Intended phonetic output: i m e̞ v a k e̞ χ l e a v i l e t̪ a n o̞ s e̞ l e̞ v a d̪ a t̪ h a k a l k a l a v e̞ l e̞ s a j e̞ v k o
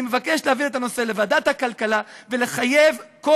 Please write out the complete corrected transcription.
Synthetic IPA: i m e̞ v a k e̞ ʃ l e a v i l e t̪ a n o̞ s e̞ l e̞ v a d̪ a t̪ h a k a l k a l a v e̞ l e̞ χ a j e̞ v k o

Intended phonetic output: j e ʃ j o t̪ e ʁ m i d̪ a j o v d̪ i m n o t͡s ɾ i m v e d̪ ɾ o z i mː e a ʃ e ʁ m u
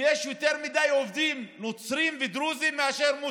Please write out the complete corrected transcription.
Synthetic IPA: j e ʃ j o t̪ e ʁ m i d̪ a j o v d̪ i m n o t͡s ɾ i m v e d̪ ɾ u z i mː e a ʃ e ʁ m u

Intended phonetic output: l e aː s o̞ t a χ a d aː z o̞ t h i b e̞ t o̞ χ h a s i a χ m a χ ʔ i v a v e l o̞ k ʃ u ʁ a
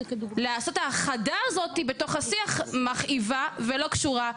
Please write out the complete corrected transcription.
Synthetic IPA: l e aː s o̞ t a χ a d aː z o̞ t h i b e̞ t o̞ χ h a s i a χ m a χ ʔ i v a v e l o̞ k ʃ u ʁ a

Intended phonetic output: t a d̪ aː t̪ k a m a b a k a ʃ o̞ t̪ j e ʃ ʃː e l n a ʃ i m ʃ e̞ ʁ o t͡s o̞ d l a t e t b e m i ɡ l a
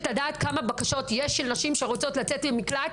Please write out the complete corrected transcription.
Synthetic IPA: t a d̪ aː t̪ k a m a b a k a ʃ o̞ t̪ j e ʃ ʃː e l n a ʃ i m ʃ e̞ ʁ o t͡s o̞ t l a t͡s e t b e m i k l a

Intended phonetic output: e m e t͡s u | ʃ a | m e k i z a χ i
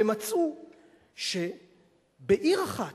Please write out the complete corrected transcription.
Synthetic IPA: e m a t͡s u | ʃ e | b e ʔ i ʁ a χ a

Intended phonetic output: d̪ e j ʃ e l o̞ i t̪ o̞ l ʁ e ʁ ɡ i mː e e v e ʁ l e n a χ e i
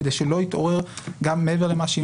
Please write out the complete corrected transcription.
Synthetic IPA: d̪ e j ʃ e l o̞ i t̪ o̞ ʁ e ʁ ɡ a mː e e v e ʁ l e m a ʃ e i

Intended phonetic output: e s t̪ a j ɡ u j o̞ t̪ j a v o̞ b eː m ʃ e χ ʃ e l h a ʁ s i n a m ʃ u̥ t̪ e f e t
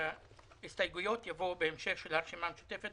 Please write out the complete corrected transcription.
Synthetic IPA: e s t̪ a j ɡ u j o̞ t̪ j a v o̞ b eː m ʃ e χ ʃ e l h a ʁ ʃ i m a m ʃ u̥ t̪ e f e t

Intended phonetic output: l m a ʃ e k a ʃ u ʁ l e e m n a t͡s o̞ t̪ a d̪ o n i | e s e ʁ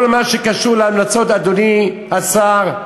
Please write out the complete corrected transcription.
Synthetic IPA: l m a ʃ e k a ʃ u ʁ l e a m n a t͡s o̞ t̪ a d̪ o n i | a s a ʁ

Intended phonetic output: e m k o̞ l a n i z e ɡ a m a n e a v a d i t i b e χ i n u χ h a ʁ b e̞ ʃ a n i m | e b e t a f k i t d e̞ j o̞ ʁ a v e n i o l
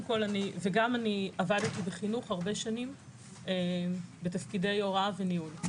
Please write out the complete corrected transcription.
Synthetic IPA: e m k o̞ l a n i v e ɡ a m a n i a v a d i t i b e χ i n u χ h a ʁ b e̞ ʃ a n i m | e b e t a f k i d e̞ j o̞ ʁ a v e n i u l

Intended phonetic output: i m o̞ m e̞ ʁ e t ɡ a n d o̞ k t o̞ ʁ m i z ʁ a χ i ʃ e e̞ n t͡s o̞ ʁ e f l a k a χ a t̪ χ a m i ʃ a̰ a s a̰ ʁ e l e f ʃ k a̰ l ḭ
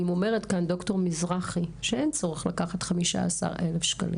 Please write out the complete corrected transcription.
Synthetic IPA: i m o̞ m e̞ ʁ e t k a n d o̞ k t o̞ ʁ m i z ʁ a χ i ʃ e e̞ n t͡s o̞ ʁ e χ l a k a χ a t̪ χ a m i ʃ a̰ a s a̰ ʁ e l e f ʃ k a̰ l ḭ

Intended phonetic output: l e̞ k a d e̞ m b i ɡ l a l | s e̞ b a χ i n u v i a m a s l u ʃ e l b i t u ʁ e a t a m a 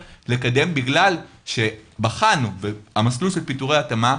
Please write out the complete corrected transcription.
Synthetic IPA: l e̞ k a d e̞ m b i ɡ l a l | ʃ e̞ b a χ a n u v e a m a s l u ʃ e l p i t u ʁ e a t a m a

